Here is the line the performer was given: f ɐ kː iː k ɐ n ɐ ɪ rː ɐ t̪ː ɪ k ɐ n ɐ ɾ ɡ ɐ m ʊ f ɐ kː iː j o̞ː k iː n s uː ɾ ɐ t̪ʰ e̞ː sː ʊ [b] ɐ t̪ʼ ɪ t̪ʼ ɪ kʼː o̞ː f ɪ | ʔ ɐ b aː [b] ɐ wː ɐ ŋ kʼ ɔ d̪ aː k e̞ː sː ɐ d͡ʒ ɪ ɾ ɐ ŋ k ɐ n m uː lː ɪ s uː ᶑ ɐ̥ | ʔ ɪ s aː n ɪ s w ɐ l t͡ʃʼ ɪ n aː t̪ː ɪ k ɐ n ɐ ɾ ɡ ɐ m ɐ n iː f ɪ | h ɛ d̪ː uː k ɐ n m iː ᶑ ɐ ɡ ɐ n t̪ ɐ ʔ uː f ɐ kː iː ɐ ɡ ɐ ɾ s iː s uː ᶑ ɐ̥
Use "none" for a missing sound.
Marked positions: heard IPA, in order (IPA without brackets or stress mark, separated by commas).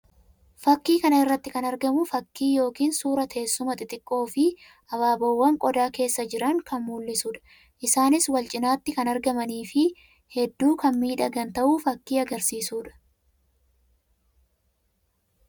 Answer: m, b